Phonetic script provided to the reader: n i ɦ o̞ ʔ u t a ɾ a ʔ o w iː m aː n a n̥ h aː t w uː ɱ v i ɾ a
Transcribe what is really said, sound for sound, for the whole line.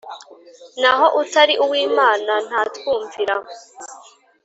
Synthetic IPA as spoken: n a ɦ o̞ ʔ u t a ɾ i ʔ u w iː m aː n a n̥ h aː t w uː ɱ v i ɾ a